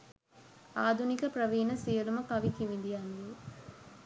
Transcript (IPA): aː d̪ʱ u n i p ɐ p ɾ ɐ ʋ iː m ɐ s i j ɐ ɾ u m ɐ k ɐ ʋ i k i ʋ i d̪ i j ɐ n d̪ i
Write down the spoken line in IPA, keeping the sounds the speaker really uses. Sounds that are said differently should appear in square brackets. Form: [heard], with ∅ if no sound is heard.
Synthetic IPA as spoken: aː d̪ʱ u n i [k] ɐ p ɾ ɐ ʋ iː [n] ɐ s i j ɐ [l] u m ɐ k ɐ ʋ i k i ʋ i d̪ i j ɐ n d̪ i